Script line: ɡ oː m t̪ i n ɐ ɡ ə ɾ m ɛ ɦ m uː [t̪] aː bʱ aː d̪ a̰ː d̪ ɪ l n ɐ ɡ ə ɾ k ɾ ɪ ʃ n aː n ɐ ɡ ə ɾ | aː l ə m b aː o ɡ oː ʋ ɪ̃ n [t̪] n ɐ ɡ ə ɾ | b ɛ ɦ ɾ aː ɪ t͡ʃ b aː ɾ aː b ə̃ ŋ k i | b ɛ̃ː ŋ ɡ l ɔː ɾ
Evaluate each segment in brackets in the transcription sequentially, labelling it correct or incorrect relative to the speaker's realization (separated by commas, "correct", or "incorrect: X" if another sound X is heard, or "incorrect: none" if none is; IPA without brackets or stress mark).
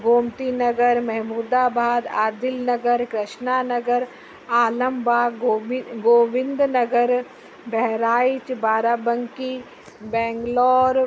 incorrect: d̪, incorrect: d̪